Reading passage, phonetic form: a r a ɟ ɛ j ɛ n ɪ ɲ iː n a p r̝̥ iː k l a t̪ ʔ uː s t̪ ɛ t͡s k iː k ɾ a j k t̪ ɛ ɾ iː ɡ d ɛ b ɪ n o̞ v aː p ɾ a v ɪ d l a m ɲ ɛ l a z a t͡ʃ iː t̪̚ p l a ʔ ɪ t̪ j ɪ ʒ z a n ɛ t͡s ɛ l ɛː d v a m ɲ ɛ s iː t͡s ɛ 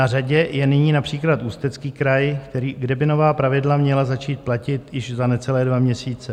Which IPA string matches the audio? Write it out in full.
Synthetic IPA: a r a ɟ ɛ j ɛ n ɪ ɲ iː n a p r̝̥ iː k l a t̪ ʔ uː s t̪ ɛ t͡s k iː k ɾ a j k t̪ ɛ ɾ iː ɡ d ɛ b ɪ n o̞ v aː p ɾ a v ɪ d l a m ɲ ɛ l a z a t͡ʃ iː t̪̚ p l a c ɪ t̪ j ɪ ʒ z a n ɛ t͡s ɛ l ɛː d v a m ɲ ɛ s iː t͡s ɛ

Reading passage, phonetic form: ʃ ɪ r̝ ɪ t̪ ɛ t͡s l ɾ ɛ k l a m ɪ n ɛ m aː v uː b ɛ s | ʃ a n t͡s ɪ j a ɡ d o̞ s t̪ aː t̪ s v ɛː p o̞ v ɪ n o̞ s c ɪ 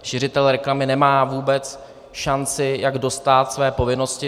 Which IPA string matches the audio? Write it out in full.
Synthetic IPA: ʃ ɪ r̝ ɪ t̪ ɛ l ɾ ɛ k l a m ɪ n ɛ m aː v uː b ɛ t͡s | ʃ a n t͡s ɪ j a ɡ d o̞ s t̪ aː t̪ s v ɛː p o̞ v ɪ n o̞ s c ɪ

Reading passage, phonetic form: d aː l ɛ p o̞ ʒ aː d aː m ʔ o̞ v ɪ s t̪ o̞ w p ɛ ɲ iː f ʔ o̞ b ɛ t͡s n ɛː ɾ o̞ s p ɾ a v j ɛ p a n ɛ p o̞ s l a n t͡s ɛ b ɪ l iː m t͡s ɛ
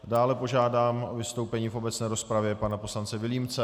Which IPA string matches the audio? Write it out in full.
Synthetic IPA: d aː l ɛ p o̞ ʒ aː d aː m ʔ o̞ v ɪ s t̪ o̞ w p ɛ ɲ iː f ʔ o̞ b ɛ t͡s n ɛː ɾ o̞ s p ɾ a v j ɛ p a n a p o̞ s l a n t͡s ɛ v ɪ l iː m t͡s ɛ

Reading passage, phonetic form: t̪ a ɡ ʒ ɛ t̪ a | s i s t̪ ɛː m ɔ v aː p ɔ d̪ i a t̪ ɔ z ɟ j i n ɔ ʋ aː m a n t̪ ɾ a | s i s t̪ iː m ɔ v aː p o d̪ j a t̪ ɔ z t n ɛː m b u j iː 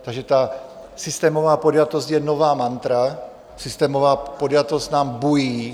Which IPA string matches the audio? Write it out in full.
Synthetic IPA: t̪ a ɡ ʒ ɛ t̪ a | s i s t̪ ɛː m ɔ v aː p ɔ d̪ j a t̪ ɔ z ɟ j ɛ n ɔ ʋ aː m a n t̪ ɾ a | s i s t̪ ɛː m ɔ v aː p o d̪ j a t̪ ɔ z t n aː m b u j iː

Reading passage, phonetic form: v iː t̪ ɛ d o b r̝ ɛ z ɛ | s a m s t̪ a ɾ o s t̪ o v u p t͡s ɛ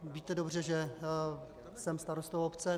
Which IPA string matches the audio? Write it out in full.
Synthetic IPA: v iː t̪ ɛ d o b r̝ ɛ ʒ ɛ | s ɛ m s t̪ a ɾ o s t̪ o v o p t͡s ɛ

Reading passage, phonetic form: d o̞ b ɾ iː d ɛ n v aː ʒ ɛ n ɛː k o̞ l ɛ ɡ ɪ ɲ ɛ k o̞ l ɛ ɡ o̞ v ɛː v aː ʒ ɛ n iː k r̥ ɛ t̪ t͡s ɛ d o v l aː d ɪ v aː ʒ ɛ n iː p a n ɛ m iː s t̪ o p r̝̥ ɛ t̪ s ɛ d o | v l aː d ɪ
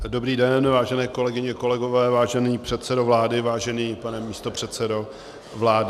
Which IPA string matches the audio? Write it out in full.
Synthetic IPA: d o̞ b ɾ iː d ɛ n v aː ʒ ɛ n ɛː k o̞ l ɛ ɡ ɪ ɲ ɛ k o̞ l ɛ ɡ o̞ v ɛː v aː ʒ ɛ n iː p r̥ ɛ t̪ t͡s ɛ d o v l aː d ɪ v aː ʒ ɛ n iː p a n ɛ m iː s t̪ o p r̝̥ ɛ t̪ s ɛ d o | v l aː d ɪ

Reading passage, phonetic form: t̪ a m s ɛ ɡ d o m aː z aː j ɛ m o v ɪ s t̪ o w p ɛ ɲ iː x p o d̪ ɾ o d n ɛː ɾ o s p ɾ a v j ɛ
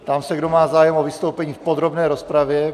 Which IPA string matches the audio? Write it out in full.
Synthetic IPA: t̪ a m s ɛ ɡ d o m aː z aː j ɛ m o v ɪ s t̪ o w p ɛ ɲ iː f p o d̪ ɾ o b n ɛː ɾ o s p ɾ a v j ɛ

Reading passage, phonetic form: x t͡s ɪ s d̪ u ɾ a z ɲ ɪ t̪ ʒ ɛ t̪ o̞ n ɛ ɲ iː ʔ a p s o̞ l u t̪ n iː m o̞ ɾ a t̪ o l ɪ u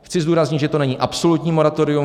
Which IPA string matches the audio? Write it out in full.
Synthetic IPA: x t͡s ɪ z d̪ uː ɾ a z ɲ ɪ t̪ ʒ ɛ t̪ o̞ n ɛ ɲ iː ʔ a p s o̞ l u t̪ ɲ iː m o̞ ɾ a t̪ o ɾ ɪ u

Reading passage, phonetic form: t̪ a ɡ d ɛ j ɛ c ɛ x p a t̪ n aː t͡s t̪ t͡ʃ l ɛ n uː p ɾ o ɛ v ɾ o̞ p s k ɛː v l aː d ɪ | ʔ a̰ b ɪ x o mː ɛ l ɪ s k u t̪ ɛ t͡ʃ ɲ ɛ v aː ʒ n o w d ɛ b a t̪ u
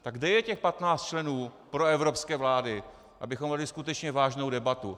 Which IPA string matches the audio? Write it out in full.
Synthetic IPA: t̪ a ɡ d ɛ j ɛ c ɛ x p a t̪ n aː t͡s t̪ t͡ʃ l ɛ n uː p ɾ o ɛ v ɾ o̞ p s k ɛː v l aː d ɪ | ʔ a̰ b ɪ x o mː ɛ l ɪ s k u t̪ ɛ t͡ʃ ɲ ɛ v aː ʒ n o w d ɛ b a t̪ u

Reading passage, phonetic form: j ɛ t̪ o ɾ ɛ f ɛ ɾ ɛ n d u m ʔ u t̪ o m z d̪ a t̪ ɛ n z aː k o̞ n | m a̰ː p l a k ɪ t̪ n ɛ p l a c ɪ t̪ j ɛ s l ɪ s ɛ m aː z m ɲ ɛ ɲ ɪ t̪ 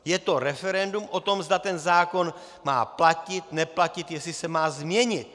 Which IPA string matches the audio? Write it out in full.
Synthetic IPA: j ɛ t̪ o ɾ ɛ f ɛ ɾ ɛ n d u m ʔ o t̪ o m z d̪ a t̪ ɛ n z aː k o̞ n | m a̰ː p l a c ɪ t̪ n ɛ p l a c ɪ t̪ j ɛ s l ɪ s ɛ m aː z m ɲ ɛ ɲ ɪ t̪

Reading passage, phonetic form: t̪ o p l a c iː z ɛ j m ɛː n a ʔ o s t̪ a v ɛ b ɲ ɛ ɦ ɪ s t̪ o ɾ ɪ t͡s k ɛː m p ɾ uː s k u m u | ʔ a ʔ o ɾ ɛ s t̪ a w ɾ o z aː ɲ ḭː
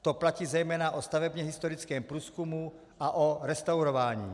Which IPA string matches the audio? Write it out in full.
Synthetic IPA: t̪ o p l a c iː z ɛ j m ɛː n a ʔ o s t̪ a v ɛ b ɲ ɛ ɦ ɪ s t̪ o ɾ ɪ t͡s k ɛː m p ɾ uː s k u m u | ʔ a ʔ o ɾ ɛ s t̪ a w ɾ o v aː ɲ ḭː

